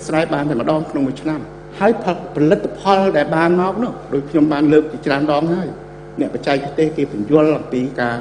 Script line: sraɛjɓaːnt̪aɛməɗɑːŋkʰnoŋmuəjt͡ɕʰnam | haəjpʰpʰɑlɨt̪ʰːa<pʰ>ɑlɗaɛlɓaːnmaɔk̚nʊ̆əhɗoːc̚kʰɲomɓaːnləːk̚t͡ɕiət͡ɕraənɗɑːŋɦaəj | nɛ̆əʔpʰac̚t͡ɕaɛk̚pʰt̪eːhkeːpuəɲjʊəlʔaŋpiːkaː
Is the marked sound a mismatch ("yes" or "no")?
no